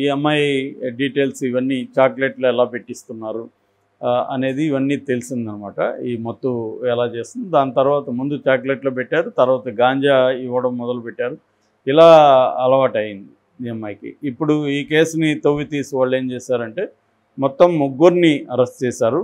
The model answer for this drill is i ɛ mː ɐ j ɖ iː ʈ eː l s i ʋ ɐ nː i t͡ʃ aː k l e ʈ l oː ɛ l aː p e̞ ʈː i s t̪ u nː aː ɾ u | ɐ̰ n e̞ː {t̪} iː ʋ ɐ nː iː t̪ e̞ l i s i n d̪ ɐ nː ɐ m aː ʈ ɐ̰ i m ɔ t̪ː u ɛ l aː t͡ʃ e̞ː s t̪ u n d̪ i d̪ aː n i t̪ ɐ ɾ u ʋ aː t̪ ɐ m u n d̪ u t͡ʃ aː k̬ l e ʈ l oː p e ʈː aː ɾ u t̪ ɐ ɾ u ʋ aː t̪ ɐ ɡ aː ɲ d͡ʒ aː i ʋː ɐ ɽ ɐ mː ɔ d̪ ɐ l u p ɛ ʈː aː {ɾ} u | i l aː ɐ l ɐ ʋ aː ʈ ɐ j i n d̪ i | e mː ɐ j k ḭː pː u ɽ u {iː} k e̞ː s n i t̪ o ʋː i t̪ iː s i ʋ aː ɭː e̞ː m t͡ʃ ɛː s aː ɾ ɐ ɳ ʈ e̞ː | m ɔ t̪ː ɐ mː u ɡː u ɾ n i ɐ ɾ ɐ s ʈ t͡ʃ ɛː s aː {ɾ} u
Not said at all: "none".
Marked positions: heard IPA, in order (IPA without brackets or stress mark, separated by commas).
d̪, ɾ, iː, ɾ